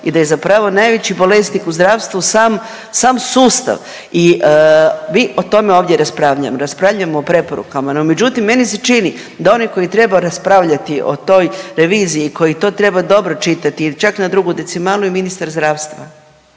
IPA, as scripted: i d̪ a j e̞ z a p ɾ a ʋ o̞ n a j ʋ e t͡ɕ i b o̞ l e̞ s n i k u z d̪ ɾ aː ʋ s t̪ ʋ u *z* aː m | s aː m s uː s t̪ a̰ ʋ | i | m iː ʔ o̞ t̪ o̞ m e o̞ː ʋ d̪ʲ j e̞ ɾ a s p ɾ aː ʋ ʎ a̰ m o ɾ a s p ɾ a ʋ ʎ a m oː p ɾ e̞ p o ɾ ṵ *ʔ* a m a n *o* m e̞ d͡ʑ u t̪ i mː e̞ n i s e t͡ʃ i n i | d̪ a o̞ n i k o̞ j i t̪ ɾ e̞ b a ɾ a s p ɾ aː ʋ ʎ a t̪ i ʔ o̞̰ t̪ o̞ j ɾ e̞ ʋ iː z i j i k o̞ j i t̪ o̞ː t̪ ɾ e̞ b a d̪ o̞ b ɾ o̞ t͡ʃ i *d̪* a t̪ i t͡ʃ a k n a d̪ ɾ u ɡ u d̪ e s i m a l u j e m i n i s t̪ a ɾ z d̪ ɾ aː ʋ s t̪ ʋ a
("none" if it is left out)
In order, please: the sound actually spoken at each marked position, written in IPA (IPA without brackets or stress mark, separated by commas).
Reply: s, k, o, t̪